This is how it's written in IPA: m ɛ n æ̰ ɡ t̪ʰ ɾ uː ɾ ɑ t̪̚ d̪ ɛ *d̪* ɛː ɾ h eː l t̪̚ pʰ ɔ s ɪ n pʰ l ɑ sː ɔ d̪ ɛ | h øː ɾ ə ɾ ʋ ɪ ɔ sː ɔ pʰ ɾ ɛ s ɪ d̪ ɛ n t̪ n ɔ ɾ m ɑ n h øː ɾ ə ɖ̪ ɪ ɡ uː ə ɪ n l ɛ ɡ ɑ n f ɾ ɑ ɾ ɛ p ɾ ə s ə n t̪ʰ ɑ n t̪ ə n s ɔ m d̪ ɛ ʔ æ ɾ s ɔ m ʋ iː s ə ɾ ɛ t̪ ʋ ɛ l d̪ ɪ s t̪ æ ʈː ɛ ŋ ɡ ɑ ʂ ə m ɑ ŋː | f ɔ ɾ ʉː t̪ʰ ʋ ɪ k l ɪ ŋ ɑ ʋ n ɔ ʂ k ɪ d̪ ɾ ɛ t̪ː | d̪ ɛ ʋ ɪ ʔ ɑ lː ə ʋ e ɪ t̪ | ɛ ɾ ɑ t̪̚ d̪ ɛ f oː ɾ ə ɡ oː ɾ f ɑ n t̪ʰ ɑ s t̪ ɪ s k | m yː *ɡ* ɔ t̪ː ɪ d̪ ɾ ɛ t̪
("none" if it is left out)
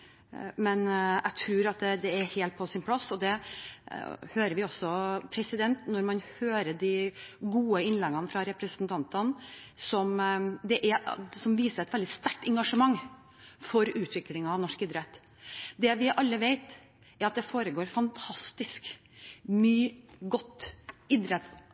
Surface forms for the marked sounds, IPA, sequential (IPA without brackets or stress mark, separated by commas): d̪, ɡ